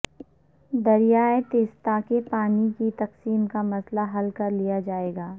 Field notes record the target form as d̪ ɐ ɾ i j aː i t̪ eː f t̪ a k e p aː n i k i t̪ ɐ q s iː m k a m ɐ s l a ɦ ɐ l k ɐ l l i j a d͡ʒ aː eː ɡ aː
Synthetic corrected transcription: d̪ ɐ ɾ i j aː e t̪ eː s t̪ a k e p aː n i k i t̪ ɐ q s iː m k a m ɐ s l a ɦ ɐ l k ɐ ɾ l i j a d͡ʒ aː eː ɡ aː